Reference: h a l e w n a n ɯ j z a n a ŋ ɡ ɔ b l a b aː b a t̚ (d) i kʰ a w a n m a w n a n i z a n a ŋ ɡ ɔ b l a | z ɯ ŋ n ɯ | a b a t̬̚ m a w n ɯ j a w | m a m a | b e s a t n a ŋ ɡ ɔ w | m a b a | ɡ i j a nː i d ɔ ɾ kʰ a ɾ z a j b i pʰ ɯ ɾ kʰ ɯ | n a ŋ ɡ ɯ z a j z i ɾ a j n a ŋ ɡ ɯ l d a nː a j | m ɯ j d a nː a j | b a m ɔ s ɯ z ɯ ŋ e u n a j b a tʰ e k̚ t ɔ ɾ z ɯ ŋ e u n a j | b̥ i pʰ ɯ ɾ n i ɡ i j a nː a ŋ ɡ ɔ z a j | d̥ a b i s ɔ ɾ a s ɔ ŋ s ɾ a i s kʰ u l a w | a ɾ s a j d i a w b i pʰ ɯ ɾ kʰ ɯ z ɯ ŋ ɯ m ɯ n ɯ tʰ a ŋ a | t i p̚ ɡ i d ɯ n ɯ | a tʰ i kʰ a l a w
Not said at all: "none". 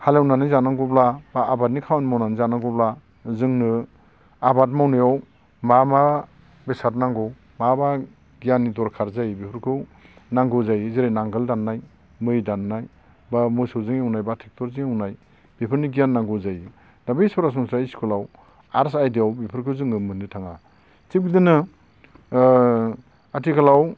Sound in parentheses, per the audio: n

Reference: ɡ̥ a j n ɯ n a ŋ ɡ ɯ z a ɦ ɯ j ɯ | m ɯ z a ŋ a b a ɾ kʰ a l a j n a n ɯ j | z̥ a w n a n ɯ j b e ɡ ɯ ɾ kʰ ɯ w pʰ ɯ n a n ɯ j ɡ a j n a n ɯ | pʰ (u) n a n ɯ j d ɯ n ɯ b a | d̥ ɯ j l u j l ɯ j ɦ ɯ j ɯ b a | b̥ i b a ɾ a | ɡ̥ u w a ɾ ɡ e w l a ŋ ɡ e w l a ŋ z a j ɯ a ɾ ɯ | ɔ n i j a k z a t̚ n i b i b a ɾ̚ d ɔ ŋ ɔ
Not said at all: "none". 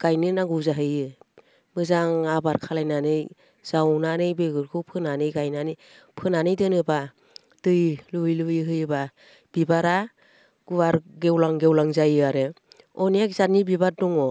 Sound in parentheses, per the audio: ɯ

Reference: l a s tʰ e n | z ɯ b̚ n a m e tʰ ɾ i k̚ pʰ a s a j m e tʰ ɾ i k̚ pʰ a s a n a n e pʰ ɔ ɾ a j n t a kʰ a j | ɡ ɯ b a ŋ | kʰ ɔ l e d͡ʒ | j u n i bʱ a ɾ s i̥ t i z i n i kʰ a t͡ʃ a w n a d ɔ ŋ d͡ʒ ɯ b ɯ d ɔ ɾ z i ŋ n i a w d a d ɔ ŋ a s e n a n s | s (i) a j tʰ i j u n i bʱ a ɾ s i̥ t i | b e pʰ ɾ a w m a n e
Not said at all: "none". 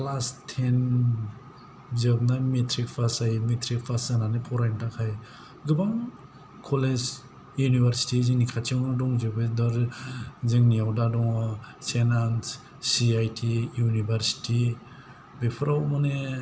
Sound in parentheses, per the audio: i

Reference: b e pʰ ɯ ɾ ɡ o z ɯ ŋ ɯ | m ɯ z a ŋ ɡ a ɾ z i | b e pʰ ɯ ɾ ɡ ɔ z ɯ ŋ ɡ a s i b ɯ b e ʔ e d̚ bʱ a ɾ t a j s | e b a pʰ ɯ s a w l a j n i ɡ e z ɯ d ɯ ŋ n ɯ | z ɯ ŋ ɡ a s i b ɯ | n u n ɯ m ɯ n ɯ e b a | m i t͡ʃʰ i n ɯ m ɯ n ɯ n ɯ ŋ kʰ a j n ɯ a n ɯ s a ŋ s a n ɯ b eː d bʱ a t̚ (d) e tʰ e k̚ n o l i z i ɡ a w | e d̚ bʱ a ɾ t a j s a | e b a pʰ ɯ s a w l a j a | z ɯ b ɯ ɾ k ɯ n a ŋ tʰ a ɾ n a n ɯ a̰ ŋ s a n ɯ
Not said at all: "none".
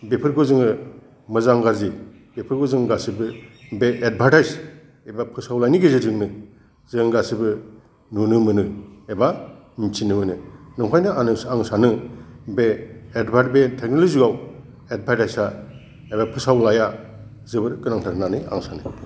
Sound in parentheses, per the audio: b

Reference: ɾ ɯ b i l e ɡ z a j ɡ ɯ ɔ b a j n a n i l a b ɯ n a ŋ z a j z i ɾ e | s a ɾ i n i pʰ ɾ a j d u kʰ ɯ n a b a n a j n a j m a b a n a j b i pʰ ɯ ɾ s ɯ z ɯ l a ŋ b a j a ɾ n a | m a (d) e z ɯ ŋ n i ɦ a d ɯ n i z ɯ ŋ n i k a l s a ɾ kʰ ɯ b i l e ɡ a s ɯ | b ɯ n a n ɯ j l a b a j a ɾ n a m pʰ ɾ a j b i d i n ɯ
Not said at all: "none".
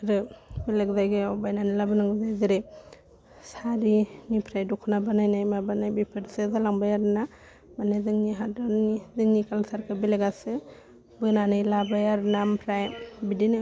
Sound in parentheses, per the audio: n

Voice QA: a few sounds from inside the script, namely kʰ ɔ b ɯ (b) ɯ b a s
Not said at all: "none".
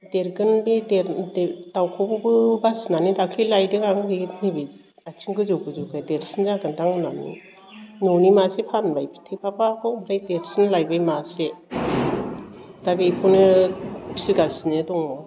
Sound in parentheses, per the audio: b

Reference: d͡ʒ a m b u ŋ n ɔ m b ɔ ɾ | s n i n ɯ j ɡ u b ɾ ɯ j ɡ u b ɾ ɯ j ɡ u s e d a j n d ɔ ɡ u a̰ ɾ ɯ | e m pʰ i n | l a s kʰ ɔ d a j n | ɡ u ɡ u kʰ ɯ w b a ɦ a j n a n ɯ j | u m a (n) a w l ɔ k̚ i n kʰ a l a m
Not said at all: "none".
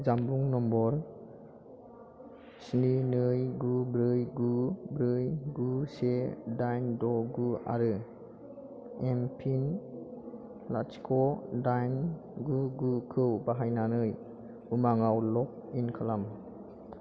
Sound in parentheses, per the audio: ŋ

